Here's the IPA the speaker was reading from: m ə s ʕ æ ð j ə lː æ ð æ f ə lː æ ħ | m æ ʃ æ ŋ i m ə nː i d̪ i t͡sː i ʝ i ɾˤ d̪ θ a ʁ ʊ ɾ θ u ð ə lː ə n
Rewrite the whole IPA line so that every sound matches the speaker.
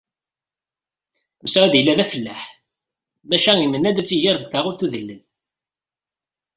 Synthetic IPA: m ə s ʕ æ ð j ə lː æ ð æ f ə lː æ ħ | m æ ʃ æ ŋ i m ə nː æ d̪ æ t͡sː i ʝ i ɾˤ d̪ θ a ʁ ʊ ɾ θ u ð ə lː ə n

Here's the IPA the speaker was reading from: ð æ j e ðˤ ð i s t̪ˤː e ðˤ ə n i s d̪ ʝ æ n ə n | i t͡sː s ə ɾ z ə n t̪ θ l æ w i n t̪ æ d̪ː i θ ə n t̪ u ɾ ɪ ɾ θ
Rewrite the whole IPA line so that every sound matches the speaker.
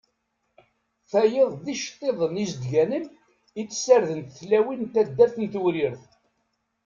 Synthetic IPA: θ æ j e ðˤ ð i ʃ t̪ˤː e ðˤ ə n i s d̪ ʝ æ n ə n | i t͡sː s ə ɾ ð ə n t̪ θ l æ w i n t̪ æ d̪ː æ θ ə n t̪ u ɾ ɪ ɾ θ

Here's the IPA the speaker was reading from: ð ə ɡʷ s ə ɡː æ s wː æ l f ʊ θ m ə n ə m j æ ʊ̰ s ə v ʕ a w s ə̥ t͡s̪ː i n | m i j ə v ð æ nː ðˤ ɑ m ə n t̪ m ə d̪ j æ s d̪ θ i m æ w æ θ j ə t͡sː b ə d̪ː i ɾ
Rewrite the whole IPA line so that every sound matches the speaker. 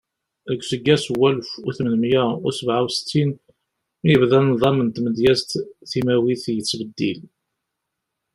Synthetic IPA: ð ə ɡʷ s ə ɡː æ s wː æ l f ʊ θ m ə n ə m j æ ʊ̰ s ə v ʕ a w s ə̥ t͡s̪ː i n | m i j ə v ð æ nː ðˤ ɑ m ə n t̪ m ə d̪ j æ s t̪ θ i m æ w i θ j ə t͡sː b ə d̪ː i l

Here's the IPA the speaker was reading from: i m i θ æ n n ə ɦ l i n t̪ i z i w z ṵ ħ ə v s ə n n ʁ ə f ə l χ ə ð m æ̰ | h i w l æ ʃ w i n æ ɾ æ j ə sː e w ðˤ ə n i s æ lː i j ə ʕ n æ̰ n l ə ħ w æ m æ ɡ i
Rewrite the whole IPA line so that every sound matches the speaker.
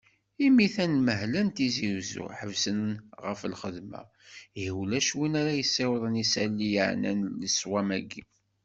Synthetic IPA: i m i θ æ n m ə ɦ l æ n t̪ i z i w z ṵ ħ ə v s ə n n ʁ ə f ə l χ ə ð m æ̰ | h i w l æ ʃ w i n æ ɾ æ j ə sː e w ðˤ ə n i s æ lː i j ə ʕ n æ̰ n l ə s w æ m æ ɡ i

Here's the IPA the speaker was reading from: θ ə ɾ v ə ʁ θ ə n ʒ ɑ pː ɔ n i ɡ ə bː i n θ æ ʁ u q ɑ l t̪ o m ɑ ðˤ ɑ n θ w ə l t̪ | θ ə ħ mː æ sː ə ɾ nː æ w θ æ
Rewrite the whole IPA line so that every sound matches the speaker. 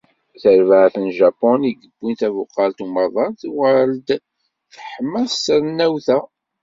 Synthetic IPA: θ ə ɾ v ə ʕ θ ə n ʒ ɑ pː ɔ n i ɡ ə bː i n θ æ v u q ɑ l t̪ u m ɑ ðˤ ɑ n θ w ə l d̪ | θ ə ħ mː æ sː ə ɾ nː æ w θ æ

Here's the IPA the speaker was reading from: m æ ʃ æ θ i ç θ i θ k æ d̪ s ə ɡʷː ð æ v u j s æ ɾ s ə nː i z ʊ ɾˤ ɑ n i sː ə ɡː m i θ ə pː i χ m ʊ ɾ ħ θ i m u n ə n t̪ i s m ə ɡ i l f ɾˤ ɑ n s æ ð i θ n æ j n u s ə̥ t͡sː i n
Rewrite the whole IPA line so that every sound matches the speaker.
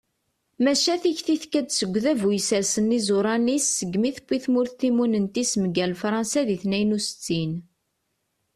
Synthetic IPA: m æ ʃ æ θ i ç θ i θ k æ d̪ s ə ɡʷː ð æ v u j s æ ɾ s ə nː i z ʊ ɾˤ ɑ n i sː ə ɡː m i θ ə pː i θ m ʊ ɾ θ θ i m u n ə n t̪ i s m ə ɡ æ l f ɾˤ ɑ n s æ ð i θ n æ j n u s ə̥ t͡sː i n

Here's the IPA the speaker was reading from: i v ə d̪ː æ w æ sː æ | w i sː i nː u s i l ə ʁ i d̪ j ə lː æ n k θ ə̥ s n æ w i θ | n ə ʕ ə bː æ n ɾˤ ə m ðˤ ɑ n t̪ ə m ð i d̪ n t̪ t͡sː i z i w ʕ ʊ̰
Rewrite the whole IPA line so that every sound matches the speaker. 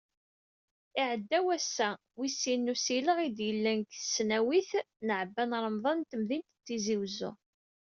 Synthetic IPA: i ʕ ə d̪ː æ w æ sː æ | w i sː i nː u s i l ə ʁ i d̪ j ə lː æ n k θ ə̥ s n æ w i θ | n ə ʕ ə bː æ n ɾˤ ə m ðˤ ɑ n t̪ ə m ð i n t̪ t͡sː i z i w z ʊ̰

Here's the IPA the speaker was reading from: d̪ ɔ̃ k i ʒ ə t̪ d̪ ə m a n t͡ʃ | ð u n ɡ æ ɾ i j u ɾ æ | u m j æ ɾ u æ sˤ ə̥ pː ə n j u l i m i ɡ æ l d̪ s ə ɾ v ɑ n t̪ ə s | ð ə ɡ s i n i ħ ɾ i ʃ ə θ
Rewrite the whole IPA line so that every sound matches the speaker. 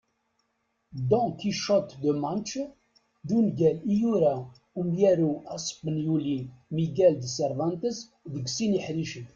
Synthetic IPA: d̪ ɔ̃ k i ʃ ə t̪ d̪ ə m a n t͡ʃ | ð u n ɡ æ l i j u ɾ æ | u m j æ ɾ u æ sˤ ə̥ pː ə n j u l i m i ɡ æ l d̪ s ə ɾ v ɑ n t̪ ə s | ð ə ɡ s i n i ħ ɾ i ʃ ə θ

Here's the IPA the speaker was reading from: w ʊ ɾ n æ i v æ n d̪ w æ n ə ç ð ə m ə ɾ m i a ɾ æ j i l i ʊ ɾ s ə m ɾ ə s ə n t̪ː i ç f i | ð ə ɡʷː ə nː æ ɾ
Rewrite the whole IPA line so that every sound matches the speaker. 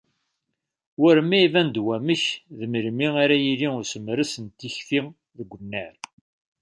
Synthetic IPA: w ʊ ɾ m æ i v æ n d̪ w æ m ə ç ð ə m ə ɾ m i a ɾ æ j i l i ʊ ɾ s ə m ɾ ə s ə n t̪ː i ç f i | ð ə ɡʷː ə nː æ ɾ

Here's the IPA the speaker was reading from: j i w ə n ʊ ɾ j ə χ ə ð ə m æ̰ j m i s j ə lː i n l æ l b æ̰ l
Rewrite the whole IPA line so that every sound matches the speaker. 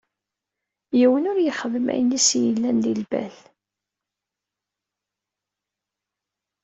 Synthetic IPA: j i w ə n ʊ ɾ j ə χ ə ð ə m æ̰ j n i s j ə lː æ n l i l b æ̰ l

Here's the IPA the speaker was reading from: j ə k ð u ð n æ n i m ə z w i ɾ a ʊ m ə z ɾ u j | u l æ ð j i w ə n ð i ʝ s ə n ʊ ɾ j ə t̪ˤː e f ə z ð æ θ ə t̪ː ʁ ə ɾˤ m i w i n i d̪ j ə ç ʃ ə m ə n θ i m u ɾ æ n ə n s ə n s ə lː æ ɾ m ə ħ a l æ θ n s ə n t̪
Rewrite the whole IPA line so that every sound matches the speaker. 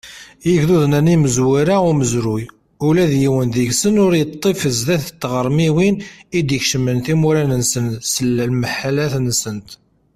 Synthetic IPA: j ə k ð u ð n æ n i m ə z w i ɾ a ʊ m ə z ɾ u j | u l æ ð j i w ə n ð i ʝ s ə n ʊ ɾ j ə t̪ˤː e f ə z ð æ θ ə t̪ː ʁ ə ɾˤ m i w i n i d̪ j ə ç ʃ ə m ə n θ i m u ɾ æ n ə n s ə n s ə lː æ l m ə ħ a l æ θ n s ə n t̪

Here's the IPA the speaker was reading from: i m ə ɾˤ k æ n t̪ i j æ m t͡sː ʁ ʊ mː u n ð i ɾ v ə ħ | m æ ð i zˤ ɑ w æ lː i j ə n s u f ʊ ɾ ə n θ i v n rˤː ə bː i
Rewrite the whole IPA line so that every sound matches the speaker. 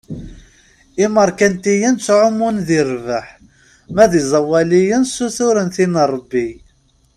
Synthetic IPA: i m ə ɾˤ k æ n t̪ i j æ n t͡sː ʕ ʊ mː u n ð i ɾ v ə ħ | m æ ð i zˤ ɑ w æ l i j ə n s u θ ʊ ɾ ə n θ i n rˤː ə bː i

